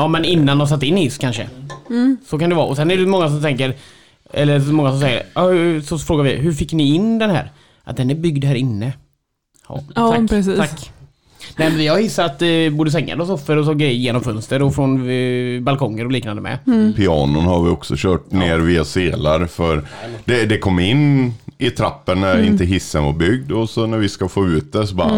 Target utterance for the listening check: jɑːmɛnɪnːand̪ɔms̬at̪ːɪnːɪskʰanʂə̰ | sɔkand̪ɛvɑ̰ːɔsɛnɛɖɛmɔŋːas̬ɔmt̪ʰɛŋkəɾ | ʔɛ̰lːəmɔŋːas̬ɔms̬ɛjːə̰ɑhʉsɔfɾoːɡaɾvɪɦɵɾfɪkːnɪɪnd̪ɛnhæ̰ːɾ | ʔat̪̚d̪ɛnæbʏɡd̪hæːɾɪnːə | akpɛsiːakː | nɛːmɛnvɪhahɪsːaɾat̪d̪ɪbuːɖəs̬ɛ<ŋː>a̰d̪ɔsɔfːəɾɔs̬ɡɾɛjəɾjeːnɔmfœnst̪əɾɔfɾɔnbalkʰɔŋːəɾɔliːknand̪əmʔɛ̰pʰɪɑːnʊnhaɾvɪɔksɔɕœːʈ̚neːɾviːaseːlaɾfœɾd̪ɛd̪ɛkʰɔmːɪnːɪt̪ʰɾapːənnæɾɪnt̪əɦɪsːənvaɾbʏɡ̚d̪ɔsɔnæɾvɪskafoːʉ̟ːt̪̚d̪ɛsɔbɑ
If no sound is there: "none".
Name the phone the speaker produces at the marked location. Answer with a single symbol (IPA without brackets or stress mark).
ŋː